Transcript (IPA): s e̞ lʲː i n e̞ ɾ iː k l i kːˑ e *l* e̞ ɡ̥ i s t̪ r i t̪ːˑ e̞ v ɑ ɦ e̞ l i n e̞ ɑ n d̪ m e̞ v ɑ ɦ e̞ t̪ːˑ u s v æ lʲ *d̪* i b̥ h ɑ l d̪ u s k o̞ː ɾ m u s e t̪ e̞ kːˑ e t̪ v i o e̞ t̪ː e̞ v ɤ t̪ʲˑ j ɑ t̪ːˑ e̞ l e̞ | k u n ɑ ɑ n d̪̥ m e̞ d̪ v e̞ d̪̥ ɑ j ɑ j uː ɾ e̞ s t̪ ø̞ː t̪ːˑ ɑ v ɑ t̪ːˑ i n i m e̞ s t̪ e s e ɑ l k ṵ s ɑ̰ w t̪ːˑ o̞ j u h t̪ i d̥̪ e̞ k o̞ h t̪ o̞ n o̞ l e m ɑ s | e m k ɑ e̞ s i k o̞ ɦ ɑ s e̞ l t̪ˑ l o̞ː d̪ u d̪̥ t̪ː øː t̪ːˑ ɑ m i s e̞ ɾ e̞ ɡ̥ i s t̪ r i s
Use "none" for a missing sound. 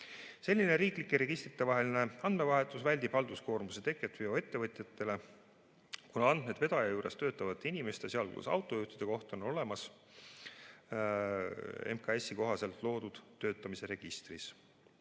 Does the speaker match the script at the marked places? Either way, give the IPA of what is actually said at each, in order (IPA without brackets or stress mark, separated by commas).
ɾ, d̪